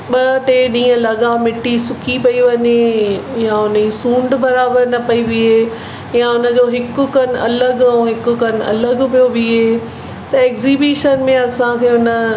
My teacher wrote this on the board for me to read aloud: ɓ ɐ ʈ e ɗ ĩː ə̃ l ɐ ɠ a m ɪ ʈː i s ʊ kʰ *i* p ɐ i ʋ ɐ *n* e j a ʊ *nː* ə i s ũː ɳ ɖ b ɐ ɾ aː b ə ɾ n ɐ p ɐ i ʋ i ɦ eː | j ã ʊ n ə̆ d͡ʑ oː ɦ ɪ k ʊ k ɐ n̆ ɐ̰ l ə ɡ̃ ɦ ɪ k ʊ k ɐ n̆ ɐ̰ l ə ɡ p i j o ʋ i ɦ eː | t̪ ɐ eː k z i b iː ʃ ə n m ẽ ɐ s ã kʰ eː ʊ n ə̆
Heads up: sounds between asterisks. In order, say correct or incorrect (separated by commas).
correct, incorrect, incorrect